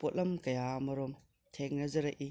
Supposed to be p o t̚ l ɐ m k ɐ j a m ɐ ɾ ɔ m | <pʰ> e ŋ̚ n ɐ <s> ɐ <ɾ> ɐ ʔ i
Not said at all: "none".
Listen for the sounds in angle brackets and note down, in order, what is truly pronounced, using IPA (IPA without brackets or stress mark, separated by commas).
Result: tʰ, z, ɾ